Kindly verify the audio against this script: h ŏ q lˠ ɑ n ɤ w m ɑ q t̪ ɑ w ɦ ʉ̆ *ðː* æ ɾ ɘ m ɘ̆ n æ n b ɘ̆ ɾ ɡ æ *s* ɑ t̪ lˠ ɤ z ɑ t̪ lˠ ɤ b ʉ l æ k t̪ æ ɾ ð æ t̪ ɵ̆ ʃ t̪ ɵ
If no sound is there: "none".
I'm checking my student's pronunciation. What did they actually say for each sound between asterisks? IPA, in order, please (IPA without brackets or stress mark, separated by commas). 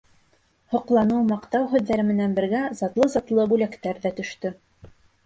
ðː, z